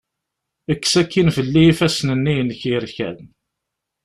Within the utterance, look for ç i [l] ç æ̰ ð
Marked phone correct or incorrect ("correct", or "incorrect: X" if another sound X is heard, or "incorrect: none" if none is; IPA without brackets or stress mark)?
incorrect: ɾ